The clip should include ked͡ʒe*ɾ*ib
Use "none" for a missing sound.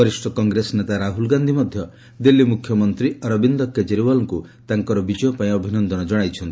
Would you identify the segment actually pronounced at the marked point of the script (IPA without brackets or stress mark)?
ɾ